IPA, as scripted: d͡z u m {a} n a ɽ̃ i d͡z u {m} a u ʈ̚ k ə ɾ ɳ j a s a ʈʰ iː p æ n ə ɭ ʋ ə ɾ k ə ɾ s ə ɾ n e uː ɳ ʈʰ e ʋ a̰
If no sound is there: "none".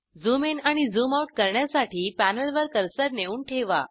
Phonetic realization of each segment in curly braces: e, m

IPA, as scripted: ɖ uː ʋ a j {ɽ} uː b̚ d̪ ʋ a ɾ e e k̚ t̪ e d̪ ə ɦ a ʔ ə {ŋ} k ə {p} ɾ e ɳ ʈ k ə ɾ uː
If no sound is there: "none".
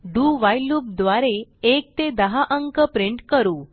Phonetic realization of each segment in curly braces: l, ŋ, p

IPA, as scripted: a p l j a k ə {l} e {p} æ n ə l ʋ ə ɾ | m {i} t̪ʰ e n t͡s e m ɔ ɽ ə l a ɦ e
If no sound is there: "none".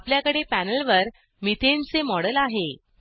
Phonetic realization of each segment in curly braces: ɽ, p, i

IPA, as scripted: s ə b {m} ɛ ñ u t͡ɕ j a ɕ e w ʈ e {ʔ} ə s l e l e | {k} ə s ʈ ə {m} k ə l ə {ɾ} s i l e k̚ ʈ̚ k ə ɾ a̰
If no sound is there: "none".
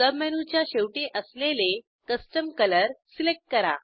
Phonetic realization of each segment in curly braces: m, ʔ, k, m, ɾ

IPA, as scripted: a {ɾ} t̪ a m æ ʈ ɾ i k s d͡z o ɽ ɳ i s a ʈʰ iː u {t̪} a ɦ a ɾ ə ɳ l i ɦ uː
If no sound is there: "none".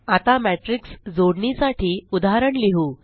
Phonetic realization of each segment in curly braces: none, d̪

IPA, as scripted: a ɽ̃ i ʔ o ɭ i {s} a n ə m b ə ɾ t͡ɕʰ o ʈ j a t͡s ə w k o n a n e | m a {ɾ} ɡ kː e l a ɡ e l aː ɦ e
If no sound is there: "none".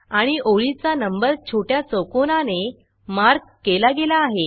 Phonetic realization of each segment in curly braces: t͡s, ɾ

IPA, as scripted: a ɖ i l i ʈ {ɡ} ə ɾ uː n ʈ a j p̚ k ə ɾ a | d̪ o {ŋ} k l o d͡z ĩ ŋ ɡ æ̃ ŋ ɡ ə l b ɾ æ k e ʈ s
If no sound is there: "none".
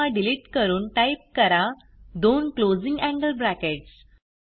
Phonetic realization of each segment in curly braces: k, n

